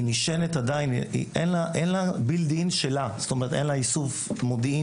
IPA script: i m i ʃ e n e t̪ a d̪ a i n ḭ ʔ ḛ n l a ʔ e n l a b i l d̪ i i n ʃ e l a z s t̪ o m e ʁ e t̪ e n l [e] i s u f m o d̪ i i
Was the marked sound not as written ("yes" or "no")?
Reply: yes